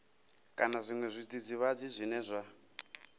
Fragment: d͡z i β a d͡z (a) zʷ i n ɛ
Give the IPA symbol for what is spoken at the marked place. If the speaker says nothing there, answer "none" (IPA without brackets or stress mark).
i